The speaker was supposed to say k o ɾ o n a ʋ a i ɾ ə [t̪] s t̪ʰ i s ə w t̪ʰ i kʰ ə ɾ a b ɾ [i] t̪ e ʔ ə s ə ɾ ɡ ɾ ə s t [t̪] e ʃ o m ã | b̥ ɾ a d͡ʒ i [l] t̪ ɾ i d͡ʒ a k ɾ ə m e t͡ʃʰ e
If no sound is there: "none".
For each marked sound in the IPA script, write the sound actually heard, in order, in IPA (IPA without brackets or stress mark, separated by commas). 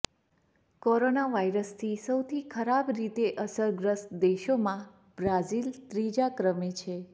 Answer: none, i, d̪, l